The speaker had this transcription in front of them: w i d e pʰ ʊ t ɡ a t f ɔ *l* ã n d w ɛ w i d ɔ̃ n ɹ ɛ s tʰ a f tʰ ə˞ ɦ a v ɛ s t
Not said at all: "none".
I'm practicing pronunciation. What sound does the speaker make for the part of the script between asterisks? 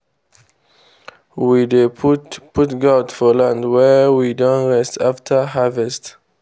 l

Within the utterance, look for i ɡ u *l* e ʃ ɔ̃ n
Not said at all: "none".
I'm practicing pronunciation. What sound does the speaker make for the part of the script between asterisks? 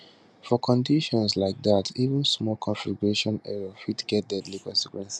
ɹ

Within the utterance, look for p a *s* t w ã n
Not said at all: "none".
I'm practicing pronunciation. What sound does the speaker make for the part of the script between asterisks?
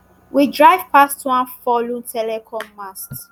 s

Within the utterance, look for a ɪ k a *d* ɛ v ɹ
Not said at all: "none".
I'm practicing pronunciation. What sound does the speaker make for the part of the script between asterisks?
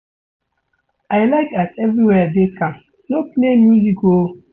t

